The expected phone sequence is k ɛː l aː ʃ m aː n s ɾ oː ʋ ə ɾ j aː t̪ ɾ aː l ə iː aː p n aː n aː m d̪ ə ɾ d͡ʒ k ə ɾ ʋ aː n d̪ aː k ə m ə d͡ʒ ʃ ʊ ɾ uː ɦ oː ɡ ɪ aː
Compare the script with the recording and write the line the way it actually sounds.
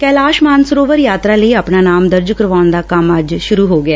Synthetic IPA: k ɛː l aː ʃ m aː n s ɾ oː ʋ ə ɾ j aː t̪ ɾ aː l ə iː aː p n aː n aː m d̪ ə ɾ d͡ʒ k ə ɾ ʋ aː n d̪ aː k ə m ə d͡ʒ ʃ ʊ ɾ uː ɦ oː ɡ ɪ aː